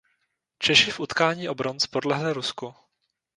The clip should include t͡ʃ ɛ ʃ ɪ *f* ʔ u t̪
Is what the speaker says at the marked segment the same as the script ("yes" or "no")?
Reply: yes